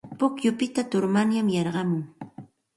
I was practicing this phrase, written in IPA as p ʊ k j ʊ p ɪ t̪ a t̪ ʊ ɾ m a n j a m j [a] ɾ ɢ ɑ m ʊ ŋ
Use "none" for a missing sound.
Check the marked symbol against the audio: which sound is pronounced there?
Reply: ɑ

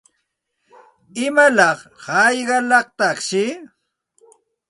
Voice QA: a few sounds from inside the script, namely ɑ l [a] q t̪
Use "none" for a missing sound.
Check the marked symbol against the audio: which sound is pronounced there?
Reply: ɑ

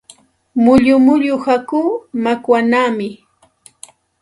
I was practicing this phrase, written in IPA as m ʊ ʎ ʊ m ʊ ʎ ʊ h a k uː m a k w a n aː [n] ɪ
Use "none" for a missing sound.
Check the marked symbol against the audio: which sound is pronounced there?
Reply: m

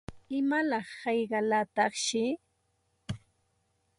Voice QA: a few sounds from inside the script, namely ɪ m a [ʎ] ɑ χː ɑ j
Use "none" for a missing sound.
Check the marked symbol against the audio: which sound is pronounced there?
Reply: l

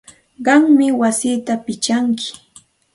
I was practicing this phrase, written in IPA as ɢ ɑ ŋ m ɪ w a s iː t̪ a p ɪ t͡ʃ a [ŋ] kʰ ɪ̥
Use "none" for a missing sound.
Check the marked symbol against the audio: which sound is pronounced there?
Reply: ŋ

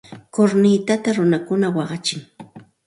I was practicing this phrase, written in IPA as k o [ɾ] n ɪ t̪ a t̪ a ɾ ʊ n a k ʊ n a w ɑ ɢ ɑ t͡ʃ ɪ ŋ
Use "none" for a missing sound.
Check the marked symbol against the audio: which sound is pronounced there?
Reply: ɾ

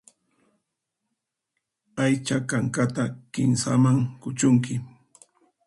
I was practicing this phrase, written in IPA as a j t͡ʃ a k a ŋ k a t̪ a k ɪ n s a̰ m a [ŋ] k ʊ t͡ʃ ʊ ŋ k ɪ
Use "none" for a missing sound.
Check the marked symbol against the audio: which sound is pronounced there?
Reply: ŋ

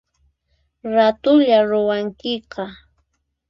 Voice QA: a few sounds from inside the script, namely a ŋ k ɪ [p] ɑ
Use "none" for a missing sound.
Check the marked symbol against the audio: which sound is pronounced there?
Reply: q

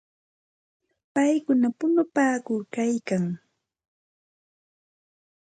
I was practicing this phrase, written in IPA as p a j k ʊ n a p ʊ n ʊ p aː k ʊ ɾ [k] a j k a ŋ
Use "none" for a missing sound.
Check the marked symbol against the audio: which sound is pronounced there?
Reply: k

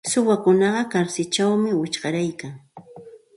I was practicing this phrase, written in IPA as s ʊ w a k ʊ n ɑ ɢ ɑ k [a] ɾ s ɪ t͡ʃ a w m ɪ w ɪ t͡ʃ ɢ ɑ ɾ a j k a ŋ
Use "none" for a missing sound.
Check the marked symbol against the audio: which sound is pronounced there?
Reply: a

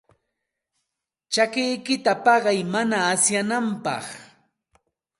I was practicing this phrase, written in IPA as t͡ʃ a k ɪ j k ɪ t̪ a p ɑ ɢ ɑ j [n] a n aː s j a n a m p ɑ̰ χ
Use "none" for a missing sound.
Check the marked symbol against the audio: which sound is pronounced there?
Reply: m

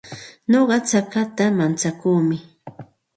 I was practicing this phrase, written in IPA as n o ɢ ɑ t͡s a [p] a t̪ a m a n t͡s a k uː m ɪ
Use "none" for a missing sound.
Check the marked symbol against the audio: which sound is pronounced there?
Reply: k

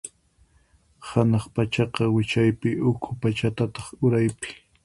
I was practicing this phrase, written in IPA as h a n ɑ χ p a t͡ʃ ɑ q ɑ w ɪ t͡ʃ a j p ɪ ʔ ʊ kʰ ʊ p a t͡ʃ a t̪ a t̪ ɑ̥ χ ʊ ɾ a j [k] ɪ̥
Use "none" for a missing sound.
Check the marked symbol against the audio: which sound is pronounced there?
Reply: p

